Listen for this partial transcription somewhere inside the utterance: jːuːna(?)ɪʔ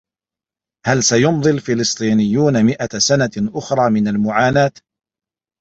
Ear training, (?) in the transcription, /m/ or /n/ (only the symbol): m